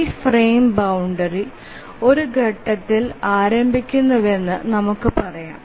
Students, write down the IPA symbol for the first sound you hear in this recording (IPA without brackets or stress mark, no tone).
f